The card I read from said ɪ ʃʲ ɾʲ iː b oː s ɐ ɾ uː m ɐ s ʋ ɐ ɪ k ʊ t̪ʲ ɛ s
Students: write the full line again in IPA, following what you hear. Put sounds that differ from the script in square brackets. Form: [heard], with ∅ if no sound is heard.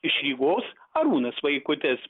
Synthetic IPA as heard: ɪ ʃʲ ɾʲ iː [ɡ] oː s ɐ ɾ uː [n] ɐ s ʋ ɐ ɪ k ʊ t̪ʲ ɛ s